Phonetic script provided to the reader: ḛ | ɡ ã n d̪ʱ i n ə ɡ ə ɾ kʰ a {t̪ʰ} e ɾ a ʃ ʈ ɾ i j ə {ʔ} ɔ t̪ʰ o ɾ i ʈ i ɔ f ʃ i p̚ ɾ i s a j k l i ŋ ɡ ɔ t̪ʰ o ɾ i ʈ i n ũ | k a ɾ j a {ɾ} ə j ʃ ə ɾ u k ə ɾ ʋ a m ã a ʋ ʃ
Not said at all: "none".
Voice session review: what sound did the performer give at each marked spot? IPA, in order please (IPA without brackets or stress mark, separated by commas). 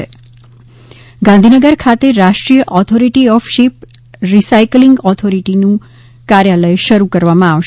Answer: t̪, ʔ, l